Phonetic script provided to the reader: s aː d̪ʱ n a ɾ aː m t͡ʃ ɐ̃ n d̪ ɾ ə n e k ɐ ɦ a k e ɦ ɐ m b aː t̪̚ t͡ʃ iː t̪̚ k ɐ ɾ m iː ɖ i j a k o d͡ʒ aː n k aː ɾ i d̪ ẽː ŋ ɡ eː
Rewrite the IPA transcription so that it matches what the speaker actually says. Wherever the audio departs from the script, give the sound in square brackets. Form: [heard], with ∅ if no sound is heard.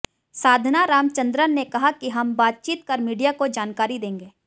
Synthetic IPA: s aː d̪ʱ n a ɾ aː m t͡ʃ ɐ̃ n d̪ ɾ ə n e k ɐ ɦ a k [i] ɦ ɐ m b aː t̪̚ t͡ʃ iː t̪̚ k ɐ ɾ m iː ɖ i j a k o d͡ʒ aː n k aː ɾ i d̪ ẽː ŋ ɡ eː